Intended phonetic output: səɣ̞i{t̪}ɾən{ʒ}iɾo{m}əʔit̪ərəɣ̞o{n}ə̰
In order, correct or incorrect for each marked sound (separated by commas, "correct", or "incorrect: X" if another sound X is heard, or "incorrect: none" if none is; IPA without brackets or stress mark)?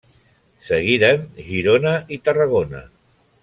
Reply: incorrect: none, correct, incorrect: n, correct